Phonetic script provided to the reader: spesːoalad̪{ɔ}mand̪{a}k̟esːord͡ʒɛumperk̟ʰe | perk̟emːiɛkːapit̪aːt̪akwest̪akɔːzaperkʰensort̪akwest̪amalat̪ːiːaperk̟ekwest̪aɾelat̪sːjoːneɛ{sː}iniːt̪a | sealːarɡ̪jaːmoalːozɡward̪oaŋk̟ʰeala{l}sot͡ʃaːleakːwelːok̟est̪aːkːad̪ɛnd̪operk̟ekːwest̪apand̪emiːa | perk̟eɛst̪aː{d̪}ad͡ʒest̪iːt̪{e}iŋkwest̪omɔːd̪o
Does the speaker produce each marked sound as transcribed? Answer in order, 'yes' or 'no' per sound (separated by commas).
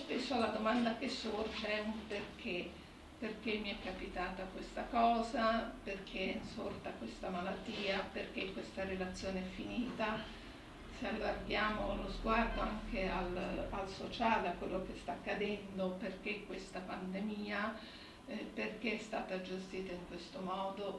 no, yes, no, yes, no, no